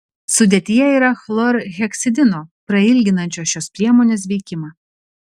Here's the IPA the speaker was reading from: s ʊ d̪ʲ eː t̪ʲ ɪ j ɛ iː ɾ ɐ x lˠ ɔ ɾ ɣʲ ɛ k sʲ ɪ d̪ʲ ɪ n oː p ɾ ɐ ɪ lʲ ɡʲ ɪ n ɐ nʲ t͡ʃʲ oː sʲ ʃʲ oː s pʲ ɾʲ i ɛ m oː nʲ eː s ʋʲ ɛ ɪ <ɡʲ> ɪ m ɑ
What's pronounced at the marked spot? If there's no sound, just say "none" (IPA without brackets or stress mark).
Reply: kʲ